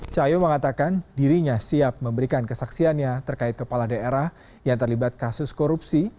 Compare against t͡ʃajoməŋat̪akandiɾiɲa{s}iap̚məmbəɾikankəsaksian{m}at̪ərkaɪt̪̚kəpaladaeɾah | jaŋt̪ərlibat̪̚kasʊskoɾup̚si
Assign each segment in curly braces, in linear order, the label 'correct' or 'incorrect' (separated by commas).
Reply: correct, incorrect